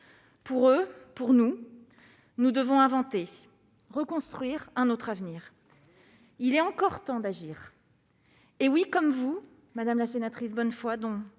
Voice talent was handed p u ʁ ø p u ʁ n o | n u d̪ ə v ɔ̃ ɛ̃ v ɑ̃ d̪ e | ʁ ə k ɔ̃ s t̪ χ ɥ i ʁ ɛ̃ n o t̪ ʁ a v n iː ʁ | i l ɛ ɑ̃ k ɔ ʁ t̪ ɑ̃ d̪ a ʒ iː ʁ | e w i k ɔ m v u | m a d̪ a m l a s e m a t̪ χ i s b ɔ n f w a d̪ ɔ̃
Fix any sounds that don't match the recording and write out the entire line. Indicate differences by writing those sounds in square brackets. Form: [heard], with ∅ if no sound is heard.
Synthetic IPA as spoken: p u ʁ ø p u ʁ n [u] | n u d̪ ə v ɔ̃ ɛ̃ v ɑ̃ [t̪] e | ʁ ə k ɔ̃ s t̪ χ ɥ i ʁ ɛ̃ n o t̪ [χ] a v n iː ʁ | i l ɛ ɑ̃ k ɔ ʁ t̪ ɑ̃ d̪ a ʒ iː ʁ | e w i k ɔ m v u | m a d̪ a m l a s e [n] a t̪ χ i s b ɔ n f w a d̪ ɔ̃